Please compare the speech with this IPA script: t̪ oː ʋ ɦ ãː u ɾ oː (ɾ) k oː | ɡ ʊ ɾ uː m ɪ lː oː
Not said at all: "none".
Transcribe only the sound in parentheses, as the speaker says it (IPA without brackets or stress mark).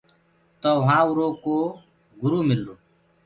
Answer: none